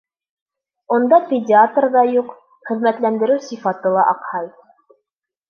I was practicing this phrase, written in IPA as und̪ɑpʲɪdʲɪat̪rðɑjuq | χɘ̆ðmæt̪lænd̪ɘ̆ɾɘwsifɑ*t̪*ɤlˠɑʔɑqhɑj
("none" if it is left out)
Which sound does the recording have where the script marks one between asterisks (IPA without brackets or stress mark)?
t̪